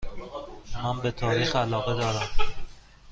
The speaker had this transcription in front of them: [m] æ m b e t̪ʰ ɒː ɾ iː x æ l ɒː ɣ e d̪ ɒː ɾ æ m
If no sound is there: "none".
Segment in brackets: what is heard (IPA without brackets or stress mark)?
m